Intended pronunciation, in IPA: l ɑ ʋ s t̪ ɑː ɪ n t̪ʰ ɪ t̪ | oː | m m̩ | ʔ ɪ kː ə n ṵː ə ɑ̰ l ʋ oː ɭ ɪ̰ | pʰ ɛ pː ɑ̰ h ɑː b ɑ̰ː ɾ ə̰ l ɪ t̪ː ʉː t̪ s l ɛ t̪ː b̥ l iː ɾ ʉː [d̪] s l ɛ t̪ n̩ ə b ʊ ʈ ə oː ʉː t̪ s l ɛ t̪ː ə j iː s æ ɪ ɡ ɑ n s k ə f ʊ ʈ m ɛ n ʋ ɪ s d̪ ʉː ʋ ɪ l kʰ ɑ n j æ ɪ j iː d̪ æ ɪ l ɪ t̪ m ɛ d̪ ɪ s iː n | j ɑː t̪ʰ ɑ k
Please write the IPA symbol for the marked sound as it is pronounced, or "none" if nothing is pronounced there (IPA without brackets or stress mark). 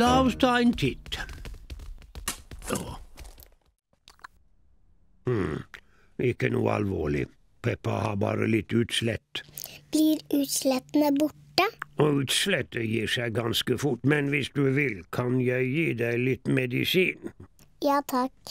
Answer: t̪